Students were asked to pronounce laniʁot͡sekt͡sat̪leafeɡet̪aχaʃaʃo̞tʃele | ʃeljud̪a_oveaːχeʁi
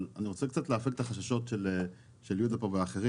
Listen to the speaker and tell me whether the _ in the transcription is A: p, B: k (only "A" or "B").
A